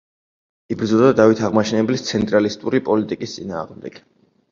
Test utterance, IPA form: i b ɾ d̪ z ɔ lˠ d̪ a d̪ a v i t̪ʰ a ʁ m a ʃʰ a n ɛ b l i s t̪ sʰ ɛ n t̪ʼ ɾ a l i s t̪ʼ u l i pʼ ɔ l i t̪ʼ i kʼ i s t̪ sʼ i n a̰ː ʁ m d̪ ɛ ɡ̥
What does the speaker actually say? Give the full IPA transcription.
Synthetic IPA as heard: i b ɾ d̪ z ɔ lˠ d̪ a d̪ a v i t̪ʰ a ʁ m a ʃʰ ɛ n ɛ b l i s t̪ sʰ ɛ n t̪ʼ ɾ a l i s t̪ʼ u ɾ i pʼ ɔ l i t̪ʼ i kʼ i s t̪ sʼ i n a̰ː ʁ m d̪ ɛ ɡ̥